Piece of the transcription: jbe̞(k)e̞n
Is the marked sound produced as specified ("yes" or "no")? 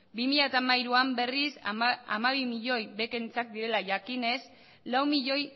yes